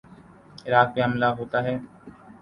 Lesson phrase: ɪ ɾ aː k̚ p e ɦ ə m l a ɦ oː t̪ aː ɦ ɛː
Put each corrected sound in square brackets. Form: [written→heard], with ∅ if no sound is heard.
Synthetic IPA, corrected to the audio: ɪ ɾ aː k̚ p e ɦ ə m l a ɦ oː t̪ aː ɦ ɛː

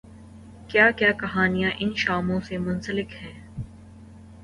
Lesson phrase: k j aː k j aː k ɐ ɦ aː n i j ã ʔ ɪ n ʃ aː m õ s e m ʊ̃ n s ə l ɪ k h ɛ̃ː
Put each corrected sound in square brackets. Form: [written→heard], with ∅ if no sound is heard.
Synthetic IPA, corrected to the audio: k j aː k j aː k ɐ ɦ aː n i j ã ʔ ɪ n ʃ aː m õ s e m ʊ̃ n s ə l ɪ k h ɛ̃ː

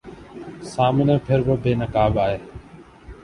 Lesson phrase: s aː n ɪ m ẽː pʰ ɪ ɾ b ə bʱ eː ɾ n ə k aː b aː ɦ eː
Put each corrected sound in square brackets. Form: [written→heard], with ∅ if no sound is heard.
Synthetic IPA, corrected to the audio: s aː [n→m] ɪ [m→n] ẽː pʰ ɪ ɾ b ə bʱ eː [ɾ→∅] n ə k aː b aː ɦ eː

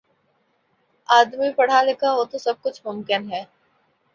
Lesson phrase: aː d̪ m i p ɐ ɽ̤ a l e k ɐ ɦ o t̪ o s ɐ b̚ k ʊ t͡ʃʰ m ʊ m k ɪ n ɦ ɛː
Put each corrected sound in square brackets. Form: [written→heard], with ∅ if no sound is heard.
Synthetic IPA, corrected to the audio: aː d̪ m i p ɐ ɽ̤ a l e k [ɐ→a] ɦ o t̪ o s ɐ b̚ k ʊ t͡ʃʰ m ʊ m k ɪ n ɦ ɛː

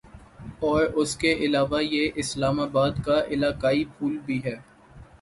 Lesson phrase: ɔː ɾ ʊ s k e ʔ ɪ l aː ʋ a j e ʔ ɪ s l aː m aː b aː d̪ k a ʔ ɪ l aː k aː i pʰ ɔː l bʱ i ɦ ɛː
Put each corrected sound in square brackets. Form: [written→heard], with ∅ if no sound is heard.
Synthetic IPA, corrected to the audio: ɔː ɾ ʊ s k e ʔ ɪ l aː ʋ a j e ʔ ɪ s l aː m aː b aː d̪ k a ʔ ɪ l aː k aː i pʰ [ɔː→uː] l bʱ i ɦ ɛː

